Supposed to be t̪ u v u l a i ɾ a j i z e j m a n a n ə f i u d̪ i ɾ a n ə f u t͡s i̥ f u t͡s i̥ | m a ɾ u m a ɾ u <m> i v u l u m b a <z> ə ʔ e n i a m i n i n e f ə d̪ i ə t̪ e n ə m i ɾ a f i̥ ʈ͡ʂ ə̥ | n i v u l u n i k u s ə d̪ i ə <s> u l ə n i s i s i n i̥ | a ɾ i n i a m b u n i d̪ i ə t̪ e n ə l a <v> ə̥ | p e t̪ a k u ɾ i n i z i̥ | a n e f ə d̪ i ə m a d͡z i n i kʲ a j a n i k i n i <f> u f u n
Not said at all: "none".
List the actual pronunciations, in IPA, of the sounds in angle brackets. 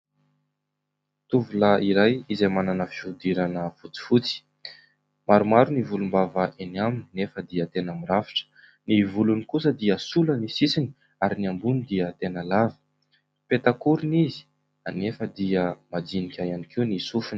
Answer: n, v, s, v, s

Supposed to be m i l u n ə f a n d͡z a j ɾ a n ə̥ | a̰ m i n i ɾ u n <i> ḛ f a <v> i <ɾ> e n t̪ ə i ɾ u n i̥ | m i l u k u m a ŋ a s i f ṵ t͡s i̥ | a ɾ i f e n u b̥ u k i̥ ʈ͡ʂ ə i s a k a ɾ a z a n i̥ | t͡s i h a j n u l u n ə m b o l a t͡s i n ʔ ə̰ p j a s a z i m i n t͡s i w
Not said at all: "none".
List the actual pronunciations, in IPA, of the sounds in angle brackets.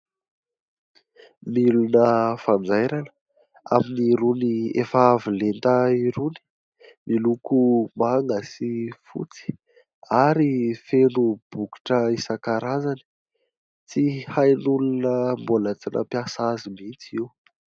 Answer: i, v, l

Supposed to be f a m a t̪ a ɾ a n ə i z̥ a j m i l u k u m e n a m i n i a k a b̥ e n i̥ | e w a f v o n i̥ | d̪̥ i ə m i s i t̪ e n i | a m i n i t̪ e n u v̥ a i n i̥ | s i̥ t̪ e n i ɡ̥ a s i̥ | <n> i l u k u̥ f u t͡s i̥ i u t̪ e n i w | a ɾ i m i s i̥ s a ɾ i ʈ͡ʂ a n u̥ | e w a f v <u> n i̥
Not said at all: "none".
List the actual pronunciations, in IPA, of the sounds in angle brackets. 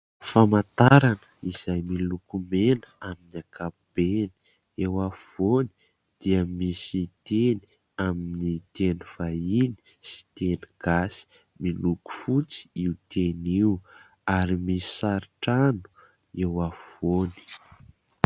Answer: m, o

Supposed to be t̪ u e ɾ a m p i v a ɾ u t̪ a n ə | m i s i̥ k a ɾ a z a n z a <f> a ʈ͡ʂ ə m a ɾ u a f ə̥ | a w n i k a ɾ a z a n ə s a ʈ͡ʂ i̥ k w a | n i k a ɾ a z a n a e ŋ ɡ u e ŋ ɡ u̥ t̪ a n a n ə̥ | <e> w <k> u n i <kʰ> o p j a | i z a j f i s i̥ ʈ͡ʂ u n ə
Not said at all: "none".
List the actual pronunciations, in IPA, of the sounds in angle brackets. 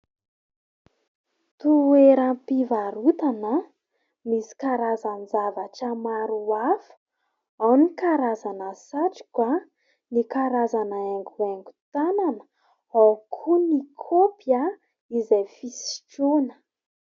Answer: v, a, kʰ, kʰ

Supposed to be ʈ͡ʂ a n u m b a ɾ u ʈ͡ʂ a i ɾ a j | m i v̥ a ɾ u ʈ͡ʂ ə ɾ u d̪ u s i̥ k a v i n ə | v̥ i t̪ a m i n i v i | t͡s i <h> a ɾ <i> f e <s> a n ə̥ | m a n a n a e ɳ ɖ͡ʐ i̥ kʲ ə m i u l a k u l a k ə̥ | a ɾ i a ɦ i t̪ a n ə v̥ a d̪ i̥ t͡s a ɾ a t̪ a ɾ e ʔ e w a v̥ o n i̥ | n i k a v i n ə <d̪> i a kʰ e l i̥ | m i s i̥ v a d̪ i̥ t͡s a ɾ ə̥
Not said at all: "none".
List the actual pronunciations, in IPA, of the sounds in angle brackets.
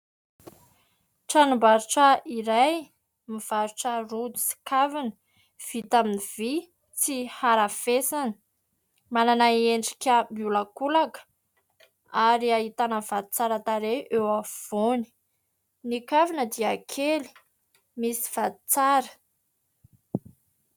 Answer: h, a, s, d̪

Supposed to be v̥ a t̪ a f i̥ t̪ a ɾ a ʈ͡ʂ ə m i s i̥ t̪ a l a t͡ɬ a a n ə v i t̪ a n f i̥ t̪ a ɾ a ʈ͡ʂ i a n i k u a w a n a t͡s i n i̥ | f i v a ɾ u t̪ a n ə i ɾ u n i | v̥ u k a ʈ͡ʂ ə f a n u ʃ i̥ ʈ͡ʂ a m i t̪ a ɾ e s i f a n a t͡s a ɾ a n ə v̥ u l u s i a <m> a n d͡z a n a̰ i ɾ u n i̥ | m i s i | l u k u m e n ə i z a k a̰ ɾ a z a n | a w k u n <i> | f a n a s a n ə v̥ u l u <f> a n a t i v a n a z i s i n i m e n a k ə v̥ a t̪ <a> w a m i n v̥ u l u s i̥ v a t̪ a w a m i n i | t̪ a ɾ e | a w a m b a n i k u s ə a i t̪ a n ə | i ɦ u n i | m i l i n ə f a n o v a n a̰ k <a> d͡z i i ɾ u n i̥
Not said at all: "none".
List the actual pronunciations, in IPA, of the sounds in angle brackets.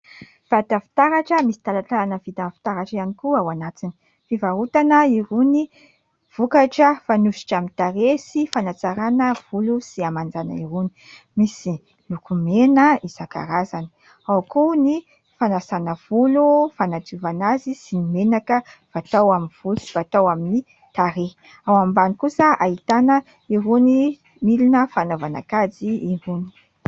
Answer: m, i, f, a, a

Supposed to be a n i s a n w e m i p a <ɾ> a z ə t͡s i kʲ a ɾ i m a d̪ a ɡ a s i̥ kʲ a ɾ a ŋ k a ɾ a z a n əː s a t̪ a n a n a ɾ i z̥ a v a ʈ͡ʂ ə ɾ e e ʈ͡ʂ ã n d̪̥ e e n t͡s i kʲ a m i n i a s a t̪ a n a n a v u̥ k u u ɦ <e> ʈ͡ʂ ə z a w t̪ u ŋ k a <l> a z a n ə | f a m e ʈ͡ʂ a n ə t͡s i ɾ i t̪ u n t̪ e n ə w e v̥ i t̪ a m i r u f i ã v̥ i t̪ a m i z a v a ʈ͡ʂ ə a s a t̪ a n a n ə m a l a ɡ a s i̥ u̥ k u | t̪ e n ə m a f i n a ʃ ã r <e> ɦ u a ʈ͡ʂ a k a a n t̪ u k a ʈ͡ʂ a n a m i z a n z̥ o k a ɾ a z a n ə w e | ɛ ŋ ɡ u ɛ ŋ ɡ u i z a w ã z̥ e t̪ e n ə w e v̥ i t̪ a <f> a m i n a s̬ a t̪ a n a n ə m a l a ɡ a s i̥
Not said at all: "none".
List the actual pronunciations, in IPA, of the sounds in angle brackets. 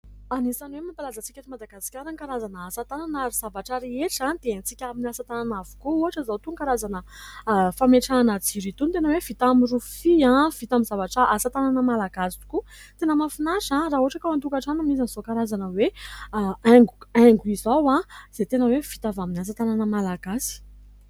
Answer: l, a, ɾ, a, v

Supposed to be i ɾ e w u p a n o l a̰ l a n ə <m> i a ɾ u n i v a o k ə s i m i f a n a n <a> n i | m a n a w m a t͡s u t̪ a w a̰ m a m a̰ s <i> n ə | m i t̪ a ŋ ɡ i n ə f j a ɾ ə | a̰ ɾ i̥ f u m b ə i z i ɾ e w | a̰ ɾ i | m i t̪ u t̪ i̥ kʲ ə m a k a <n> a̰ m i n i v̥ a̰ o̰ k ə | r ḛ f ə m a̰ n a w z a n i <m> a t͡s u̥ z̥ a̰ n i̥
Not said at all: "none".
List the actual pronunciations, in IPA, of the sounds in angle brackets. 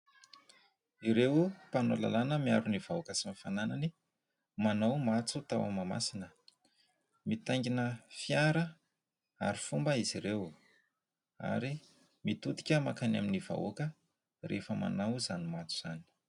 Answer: m, a, i, n, m

